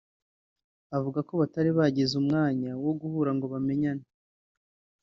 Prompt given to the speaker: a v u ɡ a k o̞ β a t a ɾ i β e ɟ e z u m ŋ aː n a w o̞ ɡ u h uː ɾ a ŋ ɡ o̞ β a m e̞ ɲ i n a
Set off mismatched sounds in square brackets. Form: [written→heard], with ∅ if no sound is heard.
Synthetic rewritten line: a v u ɡ a k o̞ β a t a ɾ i β [e→a] ɟ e z u m ŋ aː [n→ɲ] a w o̞ ɡ u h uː ɾ a ŋ ɡ o̞ β a m e̞ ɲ [i→a] n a